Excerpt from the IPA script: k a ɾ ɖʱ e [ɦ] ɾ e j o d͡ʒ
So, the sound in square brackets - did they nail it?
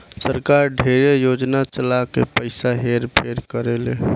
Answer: no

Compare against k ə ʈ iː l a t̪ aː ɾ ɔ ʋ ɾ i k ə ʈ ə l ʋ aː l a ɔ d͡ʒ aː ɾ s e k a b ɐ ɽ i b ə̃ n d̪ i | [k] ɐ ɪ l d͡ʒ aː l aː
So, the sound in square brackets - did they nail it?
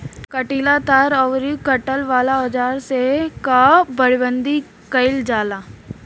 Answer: yes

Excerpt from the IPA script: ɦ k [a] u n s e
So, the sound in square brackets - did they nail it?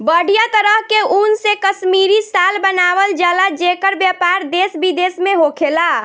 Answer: no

